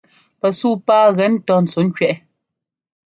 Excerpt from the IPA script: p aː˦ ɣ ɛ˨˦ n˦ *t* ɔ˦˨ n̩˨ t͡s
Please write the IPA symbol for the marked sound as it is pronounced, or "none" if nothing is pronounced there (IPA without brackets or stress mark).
t